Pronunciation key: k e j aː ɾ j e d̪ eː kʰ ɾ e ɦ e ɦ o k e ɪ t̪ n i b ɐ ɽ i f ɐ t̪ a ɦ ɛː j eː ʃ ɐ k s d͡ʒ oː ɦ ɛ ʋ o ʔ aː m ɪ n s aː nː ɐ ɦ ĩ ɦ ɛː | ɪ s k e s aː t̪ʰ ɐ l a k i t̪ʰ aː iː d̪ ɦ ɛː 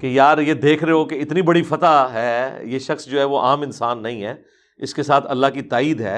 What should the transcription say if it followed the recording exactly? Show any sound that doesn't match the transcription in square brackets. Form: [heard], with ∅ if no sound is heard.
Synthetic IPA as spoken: k e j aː ɾ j e d̪ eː kʰ ɾ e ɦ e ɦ o k e ɪ t̪ n i b ɐ ɽ i f ɐ t̪ a ɦ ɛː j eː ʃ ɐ [x] s d͡ʒ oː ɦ ɛ ʋ o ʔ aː m ɪ n s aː nː ɐ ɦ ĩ ɦ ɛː | ɪ s k e s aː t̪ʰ ɐ [lː] a k i [t̪] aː iː d̪ ɦ ɛː